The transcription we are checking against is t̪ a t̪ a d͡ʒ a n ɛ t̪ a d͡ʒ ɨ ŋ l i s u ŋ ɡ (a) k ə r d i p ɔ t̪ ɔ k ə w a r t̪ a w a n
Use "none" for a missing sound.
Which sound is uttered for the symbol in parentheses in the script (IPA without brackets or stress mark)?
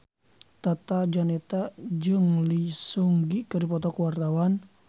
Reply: i